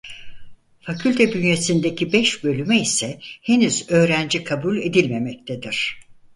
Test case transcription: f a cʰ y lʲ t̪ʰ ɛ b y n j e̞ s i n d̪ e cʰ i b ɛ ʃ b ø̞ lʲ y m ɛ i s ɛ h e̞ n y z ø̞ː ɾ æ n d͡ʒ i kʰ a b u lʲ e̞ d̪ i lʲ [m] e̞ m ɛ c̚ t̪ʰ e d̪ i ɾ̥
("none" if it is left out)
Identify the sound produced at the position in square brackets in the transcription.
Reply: m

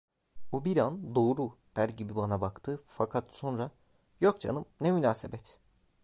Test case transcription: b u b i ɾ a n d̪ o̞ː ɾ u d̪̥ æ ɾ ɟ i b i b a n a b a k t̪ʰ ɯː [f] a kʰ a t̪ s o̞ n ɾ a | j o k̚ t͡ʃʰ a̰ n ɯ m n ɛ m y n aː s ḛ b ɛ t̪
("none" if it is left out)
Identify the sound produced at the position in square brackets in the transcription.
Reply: f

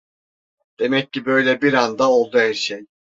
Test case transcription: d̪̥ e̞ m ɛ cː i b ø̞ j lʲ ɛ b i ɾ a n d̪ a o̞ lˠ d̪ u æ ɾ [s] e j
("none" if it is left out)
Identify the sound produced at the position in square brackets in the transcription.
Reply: ʃ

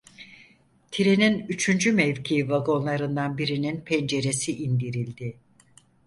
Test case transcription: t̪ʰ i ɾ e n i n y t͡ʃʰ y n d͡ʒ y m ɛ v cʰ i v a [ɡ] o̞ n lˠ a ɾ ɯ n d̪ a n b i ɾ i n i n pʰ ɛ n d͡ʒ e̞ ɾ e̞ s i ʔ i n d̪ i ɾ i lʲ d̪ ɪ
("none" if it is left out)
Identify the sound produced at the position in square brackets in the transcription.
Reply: ɡ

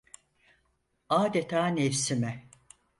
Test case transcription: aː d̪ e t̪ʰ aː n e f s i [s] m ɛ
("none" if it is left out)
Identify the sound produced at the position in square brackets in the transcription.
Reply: none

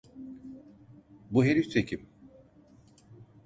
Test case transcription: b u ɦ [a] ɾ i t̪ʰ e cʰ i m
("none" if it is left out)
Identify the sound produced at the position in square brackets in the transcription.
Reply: e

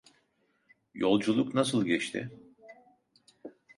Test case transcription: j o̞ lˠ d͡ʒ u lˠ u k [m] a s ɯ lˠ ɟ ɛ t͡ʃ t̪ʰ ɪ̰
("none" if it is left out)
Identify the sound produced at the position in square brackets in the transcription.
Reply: n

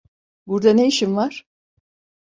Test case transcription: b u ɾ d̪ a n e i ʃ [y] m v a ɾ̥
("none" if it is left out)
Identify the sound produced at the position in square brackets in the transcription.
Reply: i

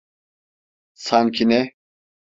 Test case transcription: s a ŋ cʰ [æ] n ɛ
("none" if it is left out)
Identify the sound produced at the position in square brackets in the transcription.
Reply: i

